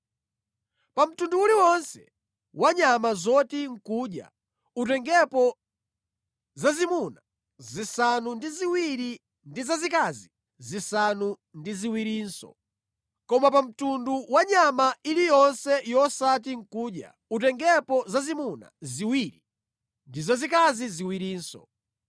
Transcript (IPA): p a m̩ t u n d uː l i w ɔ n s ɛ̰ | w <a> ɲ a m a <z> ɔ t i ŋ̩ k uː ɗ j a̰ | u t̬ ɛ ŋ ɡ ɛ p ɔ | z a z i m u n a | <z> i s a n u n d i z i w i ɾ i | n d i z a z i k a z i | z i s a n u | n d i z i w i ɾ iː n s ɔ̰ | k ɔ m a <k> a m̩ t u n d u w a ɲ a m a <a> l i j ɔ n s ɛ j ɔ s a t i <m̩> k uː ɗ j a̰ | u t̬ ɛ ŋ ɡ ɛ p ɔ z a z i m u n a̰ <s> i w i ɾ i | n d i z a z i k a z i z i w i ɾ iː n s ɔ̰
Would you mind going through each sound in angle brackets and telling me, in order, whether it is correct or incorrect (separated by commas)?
correct, correct, correct, incorrect, incorrect, incorrect, incorrect